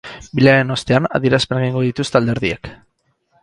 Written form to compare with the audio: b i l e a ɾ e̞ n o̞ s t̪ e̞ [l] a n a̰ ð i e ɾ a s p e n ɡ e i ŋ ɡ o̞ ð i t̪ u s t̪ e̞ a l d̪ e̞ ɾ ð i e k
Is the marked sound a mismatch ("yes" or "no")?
yes